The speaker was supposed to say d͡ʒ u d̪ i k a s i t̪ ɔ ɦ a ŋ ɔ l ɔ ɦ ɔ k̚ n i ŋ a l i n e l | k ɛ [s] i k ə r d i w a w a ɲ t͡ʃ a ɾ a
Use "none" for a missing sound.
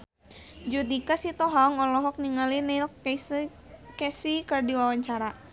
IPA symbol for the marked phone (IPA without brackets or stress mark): s